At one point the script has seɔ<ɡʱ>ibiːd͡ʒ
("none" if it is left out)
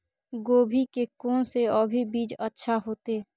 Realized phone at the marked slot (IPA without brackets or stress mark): bʱ